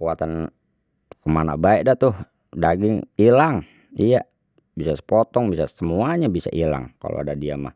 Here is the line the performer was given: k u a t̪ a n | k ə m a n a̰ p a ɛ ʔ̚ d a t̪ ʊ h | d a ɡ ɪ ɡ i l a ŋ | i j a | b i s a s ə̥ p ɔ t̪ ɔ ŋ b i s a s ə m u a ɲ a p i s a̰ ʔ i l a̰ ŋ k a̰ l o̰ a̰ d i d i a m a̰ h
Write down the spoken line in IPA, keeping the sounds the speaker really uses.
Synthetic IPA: k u a t̪ a n | k ə m a n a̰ b a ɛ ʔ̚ d a t̪ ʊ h | d a ɡ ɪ ŋ i l a ŋ | i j a | b i s a s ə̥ p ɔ t̪ ɔ ŋ b i s a s ə m u a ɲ a b i s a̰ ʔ i l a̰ ŋ k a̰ l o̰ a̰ d a d i a m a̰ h